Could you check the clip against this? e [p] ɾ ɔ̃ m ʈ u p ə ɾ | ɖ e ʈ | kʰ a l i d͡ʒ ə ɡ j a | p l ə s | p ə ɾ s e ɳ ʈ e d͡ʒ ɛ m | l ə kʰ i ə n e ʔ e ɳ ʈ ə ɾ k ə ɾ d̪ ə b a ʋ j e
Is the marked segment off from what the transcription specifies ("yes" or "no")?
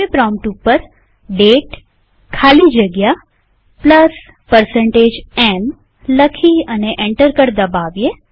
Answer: no